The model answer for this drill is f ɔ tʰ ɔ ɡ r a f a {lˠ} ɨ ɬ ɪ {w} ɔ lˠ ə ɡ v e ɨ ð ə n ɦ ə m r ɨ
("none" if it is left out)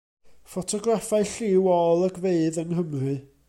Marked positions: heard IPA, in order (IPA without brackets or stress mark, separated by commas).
none, w